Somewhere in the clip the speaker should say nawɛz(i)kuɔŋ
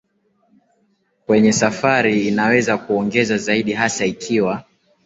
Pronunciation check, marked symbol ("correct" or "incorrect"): incorrect